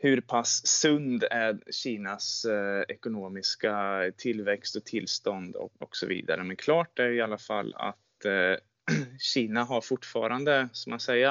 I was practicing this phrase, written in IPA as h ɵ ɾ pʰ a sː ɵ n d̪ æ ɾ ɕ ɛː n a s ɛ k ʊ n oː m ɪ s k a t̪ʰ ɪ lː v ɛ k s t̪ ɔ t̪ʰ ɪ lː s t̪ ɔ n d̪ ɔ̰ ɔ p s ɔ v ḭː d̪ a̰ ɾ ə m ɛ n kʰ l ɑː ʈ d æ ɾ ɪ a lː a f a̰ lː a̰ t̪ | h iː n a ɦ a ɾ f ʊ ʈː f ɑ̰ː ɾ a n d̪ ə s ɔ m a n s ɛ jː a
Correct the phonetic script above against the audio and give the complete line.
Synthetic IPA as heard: h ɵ ɾ pʰ a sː ɵ n d̪ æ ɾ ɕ iː n a s ɛ k ʊ n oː m ɪ s k a t̪ʰ ɪ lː v ɛ k s t̪ ɔ t̪ʰ ɪ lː s t̪ ɔ n d̪ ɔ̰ ɔ k s ɔ v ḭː d̪ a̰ ɾ ə m ɛ n kʰ l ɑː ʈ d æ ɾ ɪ a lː a f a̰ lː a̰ t̪ | ɕ iː n a ɦ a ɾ f ʊ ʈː f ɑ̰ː ɾ a n d̪ ə s ɔ m a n s ɛ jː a